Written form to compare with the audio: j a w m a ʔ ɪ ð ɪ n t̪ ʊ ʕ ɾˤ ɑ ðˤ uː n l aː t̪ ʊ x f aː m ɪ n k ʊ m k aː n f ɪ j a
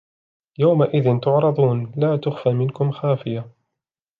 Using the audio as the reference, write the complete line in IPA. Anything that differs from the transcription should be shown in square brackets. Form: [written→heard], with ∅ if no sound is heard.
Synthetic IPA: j a w m a ʔ ɪ ð ɪ n t̪ ʊ ʕ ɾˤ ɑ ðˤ uː n l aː t̪ ʊ x f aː m ɪ n k ʊ m [k→x] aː [n→∅] f ɪ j a